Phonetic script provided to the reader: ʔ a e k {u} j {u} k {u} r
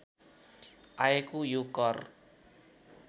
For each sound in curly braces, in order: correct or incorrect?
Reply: correct, correct, incorrect: ɔ

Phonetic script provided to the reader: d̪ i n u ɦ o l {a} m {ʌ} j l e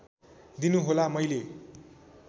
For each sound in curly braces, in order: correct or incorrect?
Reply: correct, correct

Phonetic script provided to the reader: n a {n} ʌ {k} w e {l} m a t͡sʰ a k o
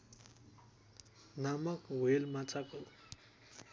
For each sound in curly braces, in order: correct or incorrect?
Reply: incorrect: m, correct, correct

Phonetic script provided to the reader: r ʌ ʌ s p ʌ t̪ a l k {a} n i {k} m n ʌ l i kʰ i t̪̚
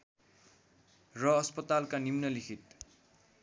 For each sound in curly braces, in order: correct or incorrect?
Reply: correct, incorrect: none

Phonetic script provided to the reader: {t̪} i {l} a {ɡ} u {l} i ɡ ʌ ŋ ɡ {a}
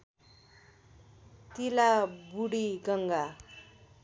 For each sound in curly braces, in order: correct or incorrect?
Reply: correct, correct, incorrect: b, incorrect: ɽ, correct

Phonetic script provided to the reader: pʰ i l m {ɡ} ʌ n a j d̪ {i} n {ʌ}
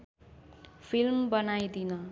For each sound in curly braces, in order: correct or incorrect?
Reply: incorrect: b, correct, correct

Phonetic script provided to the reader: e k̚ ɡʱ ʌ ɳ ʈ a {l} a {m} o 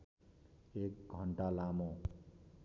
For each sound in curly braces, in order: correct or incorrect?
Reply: correct, correct

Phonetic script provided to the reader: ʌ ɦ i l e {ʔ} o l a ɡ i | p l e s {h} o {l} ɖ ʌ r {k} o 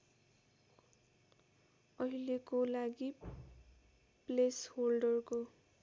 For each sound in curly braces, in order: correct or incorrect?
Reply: incorrect: k, correct, correct, correct

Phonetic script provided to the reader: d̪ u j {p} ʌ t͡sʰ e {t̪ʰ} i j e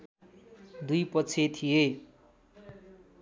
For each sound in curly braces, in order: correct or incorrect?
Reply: correct, correct

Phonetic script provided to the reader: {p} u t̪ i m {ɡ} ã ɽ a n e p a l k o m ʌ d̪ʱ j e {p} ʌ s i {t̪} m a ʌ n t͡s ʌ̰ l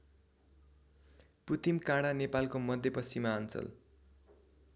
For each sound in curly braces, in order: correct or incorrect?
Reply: correct, incorrect: k, correct, incorrect: none

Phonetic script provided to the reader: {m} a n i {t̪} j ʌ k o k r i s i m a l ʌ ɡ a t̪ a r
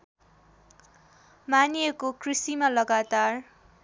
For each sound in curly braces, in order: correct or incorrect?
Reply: correct, incorrect: none

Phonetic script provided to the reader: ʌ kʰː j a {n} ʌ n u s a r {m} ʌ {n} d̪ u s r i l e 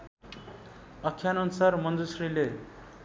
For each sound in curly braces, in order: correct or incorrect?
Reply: correct, correct, correct

